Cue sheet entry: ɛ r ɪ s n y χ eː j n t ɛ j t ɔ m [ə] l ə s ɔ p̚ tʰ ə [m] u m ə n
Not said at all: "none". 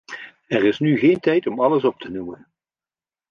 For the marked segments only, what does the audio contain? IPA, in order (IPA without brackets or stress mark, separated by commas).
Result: ɑ, n